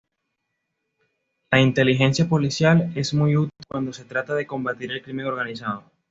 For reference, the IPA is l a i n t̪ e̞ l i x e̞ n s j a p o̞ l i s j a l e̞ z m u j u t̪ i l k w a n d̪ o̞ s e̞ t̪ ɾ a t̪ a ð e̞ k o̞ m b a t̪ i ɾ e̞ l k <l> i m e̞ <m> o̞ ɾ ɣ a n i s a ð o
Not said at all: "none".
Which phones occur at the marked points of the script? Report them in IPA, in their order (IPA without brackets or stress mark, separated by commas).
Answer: ɾ, ŋ